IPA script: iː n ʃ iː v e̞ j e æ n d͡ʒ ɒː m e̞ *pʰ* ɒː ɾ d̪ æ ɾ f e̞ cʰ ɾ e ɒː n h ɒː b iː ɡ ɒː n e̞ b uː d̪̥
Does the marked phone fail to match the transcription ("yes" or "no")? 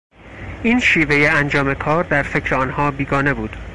yes